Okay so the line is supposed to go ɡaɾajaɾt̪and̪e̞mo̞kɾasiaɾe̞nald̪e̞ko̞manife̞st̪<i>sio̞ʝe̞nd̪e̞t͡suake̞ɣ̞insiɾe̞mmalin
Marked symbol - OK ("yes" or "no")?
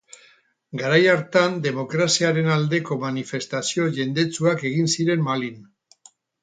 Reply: no